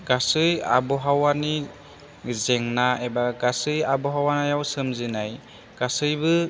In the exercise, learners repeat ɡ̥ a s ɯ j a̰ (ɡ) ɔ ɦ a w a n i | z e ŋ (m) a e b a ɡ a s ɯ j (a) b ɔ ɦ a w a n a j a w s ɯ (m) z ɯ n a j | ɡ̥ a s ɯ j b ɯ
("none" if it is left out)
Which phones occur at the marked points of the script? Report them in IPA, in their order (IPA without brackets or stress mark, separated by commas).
b, n, a, m